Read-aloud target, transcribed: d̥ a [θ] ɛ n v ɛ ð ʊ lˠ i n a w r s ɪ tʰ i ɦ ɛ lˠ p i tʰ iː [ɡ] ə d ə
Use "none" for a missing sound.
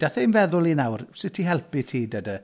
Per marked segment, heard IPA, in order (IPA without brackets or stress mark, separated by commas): θ, d